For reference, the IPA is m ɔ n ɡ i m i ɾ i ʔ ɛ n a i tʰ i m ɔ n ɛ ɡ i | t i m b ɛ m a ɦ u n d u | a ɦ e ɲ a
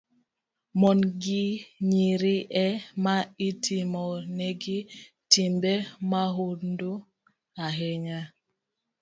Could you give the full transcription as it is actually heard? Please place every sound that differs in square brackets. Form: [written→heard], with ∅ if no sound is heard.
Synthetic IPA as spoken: m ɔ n ɡ i [m→ɲ] i ɾ i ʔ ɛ [n→m] a i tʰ i m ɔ n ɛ ɡ i | t i m b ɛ m a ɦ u n d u | a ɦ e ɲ a